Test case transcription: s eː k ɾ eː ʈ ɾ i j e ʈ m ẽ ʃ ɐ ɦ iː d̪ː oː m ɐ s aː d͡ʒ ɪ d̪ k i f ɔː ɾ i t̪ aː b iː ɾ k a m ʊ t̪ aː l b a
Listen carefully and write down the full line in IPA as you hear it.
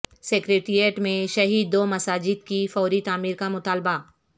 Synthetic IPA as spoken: s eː k ɾ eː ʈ ɾ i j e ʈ m ẽ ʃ ɐ ɦ iː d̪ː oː m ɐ s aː d͡ʒ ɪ d̪ k i f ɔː ɾ i t̪ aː m iː ɾ k a m ʊ t̪ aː l b a